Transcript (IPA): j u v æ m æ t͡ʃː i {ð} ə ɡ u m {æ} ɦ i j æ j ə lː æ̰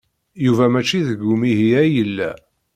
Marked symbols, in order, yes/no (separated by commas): yes, no